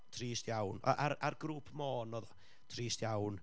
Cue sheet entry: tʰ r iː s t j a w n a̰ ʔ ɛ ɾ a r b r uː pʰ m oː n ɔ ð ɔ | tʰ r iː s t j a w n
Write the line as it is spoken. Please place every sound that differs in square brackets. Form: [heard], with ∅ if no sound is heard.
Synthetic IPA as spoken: tʰ r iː s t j a w n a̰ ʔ [a] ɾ a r [ɡ] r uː pʰ m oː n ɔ ð ɔ | tʰ r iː s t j a w n